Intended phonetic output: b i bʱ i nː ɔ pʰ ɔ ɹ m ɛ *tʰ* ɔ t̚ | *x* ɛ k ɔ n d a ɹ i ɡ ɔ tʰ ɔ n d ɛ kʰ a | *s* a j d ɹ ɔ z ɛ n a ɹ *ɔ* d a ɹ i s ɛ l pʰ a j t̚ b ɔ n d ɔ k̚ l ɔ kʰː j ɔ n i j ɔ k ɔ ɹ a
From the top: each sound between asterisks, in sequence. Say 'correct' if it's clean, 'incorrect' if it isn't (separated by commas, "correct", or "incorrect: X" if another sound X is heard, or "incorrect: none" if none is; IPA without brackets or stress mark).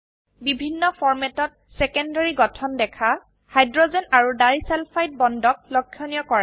incorrect: t, incorrect: s, incorrect: h, incorrect: u